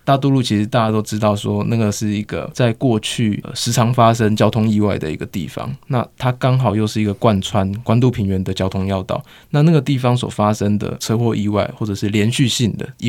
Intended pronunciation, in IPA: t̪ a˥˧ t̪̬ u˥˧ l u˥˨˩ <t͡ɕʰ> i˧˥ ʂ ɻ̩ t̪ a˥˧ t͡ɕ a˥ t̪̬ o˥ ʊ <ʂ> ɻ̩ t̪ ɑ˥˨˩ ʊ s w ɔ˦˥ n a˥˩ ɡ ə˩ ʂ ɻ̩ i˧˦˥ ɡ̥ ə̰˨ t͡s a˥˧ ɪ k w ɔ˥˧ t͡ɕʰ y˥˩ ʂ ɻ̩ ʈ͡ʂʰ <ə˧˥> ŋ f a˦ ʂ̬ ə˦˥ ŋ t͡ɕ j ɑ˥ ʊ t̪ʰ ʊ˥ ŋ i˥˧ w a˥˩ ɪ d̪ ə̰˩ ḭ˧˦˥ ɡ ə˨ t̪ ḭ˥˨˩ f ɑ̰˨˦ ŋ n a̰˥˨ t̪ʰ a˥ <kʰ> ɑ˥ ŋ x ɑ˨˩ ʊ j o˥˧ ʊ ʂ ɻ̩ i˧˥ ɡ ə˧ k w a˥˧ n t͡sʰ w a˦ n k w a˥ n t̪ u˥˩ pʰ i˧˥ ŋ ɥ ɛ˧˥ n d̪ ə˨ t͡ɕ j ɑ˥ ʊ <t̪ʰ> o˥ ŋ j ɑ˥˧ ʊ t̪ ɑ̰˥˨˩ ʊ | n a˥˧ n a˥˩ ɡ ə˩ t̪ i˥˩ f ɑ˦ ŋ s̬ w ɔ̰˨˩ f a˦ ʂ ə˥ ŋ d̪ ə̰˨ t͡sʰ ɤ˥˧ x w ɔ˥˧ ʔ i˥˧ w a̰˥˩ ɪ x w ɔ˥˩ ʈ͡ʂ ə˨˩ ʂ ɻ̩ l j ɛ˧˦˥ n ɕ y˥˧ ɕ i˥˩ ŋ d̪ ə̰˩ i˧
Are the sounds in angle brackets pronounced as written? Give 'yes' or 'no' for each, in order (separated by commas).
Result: yes, no, no, no, yes